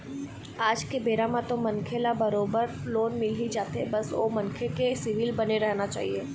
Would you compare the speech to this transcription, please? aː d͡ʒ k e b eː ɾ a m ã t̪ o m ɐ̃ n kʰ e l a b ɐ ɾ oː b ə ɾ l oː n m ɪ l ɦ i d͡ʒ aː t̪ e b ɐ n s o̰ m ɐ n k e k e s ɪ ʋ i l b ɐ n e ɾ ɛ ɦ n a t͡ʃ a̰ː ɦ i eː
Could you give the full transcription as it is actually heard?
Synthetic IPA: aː d͡ʒ k e b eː ɾ a m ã t̪ o m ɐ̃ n kʰ e l a b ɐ ɾ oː b ə ɾ l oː n m ɪ l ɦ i d͡ʒ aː t̪ e b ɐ s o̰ m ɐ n kʰ e k e s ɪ ʋ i l b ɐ n e ɾ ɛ ɦ n a t͡ʃ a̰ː ɦ i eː